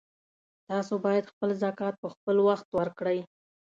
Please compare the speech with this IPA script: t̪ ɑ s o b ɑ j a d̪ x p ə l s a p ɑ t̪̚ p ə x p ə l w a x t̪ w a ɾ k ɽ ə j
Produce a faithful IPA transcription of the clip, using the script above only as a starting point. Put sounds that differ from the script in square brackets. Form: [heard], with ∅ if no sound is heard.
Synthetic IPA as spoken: t̪ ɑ s o b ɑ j a d̪ x p ə l [z] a [k] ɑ t̪̚ p ə x p ə l w a x t̪ w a ɾ k ɽ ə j